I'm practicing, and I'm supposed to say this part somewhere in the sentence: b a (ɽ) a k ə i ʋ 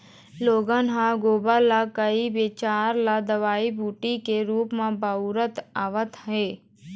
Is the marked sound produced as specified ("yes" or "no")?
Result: no